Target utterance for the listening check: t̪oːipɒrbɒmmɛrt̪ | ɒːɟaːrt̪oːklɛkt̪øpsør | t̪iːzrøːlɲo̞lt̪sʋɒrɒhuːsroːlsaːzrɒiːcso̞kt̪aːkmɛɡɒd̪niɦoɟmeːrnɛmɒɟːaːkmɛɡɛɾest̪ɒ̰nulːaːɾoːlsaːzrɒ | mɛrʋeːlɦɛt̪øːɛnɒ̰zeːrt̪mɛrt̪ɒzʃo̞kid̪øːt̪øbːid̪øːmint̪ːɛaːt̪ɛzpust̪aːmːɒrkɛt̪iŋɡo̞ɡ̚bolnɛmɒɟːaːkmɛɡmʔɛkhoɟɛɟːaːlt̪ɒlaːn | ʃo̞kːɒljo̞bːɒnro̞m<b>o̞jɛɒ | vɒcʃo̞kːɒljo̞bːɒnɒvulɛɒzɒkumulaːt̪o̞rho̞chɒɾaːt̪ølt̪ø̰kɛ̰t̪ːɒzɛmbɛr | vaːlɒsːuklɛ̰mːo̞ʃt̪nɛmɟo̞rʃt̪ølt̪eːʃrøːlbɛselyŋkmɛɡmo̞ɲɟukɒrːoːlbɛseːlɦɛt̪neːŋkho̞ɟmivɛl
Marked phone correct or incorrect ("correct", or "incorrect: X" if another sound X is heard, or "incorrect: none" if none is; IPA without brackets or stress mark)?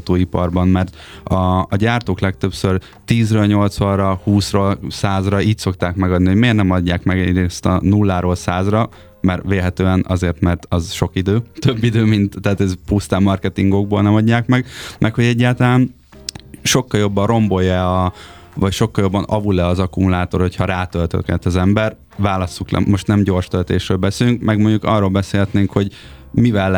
correct